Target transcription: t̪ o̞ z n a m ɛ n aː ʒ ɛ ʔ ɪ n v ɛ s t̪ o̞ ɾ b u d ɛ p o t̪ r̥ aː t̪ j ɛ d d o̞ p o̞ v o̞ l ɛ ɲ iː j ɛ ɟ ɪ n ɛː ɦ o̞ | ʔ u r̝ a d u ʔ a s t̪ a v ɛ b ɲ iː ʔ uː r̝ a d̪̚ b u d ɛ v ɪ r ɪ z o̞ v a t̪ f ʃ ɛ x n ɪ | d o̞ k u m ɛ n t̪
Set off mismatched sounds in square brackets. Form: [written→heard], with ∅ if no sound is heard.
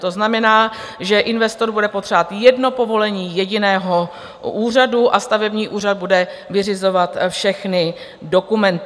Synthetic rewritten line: t̪ o̞ z n a m ɛ n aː ʒ ɛ ʔ ɪ n v ɛ s t̪ o̞ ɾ b u d ɛ p o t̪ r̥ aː t̪ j ɛ d [d→n] o̞ p o̞ v o̞ l ɛ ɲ iː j ɛ ɟ ɪ n ɛː ɦ o̞ | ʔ [u→uː] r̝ a d u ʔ a s t̪ a v ɛ b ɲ iː ʔ uː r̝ a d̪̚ b u d ɛ v ɪ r ɪ z o̞ v a t̪ f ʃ ɛ x n ɪ | d o̞ k u m ɛ n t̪